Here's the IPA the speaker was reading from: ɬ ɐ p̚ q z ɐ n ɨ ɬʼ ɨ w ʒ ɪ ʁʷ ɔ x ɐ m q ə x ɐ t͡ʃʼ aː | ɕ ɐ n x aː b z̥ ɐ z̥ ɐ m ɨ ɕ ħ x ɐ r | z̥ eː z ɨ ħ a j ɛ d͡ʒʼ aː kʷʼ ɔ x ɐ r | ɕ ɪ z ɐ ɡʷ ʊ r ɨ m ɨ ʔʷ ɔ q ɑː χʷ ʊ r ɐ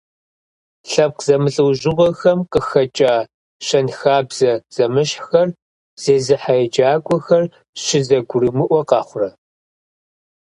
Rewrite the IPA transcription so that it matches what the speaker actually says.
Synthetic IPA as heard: ɬ ɐ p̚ q z ɐ m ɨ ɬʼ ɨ w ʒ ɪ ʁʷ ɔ x ɐ m q ə x ɐ t͡ʃʼ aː | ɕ ɐ n x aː b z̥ ɐ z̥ ɐ m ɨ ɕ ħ x ɐ r | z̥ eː z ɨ ħ a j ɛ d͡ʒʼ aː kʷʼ ɔ x ɐ r | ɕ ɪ z ɐ ɡʷ ʊ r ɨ m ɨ ʔʷ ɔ q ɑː χʷ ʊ r ɐ